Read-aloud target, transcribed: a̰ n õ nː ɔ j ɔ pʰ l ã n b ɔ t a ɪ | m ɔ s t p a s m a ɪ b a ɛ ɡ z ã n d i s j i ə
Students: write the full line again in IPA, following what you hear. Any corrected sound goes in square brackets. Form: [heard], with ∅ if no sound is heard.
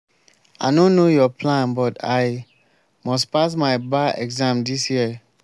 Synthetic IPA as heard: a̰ n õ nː [o] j ɔ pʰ l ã n b ɔ t a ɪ | m ɔ s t p a s m a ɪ b a ɛ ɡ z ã [m] d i s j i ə